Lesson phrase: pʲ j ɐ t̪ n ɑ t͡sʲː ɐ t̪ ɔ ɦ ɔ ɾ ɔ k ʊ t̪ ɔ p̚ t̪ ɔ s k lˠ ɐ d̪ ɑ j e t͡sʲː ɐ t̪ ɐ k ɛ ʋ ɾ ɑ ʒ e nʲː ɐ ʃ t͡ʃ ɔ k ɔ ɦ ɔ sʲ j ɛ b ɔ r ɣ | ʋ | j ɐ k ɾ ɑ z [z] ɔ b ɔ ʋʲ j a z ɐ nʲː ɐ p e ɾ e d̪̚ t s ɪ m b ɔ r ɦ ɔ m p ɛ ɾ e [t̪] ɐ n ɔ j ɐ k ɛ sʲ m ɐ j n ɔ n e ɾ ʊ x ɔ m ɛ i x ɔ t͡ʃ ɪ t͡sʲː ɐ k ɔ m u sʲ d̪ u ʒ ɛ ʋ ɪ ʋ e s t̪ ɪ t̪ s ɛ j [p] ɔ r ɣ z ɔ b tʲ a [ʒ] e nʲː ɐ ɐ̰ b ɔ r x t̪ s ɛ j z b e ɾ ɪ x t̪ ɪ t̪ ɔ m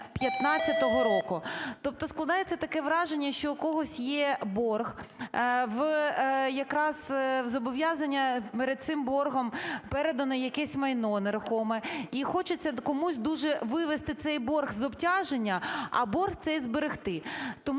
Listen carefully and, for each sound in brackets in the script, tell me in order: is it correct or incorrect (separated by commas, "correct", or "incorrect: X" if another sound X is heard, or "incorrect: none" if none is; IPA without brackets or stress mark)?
correct, incorrect: d̪, incorrect: b, correct